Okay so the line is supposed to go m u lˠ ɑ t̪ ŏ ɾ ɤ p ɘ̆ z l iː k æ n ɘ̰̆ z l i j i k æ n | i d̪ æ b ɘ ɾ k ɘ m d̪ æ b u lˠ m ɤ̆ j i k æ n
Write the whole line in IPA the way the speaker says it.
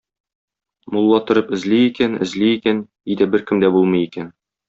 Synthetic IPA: m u lˠː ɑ t̪ ŏ ɾ ɤ p ɘ̆ z l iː k æ n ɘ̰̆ z l i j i k æ n | i d̪ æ b ɘ ɾ k ɘ m d̪ æ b u lˠ m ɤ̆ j i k æ n